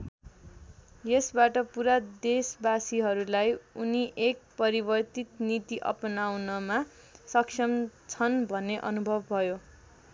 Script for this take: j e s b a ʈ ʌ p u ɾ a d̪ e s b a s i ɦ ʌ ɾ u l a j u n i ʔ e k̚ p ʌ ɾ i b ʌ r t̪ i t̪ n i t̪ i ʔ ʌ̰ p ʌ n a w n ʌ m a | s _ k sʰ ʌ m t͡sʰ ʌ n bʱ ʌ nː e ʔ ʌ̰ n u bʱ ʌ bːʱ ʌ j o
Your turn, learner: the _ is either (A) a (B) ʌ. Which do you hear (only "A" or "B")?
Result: B